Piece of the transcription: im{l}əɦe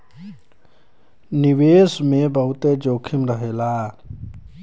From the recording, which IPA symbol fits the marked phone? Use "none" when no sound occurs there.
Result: ɾ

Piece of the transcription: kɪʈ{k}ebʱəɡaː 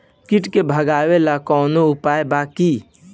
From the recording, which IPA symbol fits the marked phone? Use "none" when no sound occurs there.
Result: k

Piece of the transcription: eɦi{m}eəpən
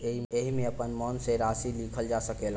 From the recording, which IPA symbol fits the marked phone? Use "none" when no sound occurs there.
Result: m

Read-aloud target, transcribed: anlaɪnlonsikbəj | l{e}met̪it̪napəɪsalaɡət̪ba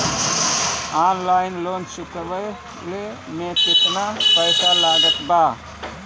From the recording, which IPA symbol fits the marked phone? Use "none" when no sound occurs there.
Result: e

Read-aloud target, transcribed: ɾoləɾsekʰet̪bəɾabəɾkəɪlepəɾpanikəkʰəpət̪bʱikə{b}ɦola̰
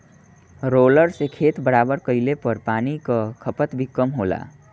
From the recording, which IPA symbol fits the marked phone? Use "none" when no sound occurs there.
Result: m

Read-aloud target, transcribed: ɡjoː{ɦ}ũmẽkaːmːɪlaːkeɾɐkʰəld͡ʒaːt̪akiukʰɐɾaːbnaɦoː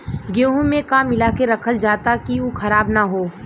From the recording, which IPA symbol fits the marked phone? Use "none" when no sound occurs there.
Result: ɦ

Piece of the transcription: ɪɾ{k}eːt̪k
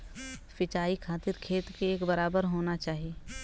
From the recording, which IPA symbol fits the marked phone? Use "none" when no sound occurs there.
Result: kʰ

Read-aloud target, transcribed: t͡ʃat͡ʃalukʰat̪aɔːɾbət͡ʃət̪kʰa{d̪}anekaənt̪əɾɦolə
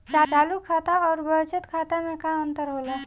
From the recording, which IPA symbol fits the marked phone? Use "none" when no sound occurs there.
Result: t̪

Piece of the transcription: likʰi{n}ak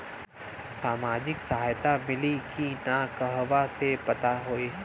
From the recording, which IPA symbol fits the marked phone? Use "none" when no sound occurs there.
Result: n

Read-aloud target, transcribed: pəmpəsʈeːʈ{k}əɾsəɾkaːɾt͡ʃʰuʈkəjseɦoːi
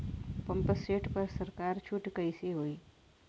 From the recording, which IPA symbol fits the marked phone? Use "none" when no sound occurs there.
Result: p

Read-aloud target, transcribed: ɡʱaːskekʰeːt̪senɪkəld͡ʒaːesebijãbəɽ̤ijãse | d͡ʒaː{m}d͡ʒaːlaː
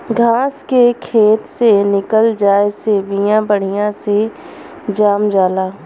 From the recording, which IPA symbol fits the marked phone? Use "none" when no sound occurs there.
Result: m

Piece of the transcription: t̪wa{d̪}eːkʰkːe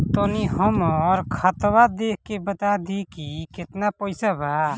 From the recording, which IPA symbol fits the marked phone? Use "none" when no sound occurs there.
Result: d̪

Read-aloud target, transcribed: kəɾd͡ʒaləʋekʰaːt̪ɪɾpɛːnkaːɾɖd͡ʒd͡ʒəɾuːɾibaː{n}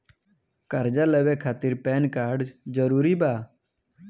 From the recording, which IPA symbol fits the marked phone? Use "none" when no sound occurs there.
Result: none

